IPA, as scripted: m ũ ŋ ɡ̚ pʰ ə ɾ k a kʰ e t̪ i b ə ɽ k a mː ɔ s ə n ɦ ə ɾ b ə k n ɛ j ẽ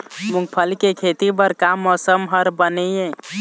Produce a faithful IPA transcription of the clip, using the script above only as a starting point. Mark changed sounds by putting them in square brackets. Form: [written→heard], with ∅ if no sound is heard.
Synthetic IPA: m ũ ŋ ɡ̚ pʰ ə [ɾ→l] k [a→e] kʰ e t̪ i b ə [ɽ→ɾ] k a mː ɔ s ə [n→m] ɦ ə ɾ b ə [k→∅] n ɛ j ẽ